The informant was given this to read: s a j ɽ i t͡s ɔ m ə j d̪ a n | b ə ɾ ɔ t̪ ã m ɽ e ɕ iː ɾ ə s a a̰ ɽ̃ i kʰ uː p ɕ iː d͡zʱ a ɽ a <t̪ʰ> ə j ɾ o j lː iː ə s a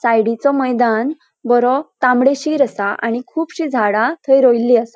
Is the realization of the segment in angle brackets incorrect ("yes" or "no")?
no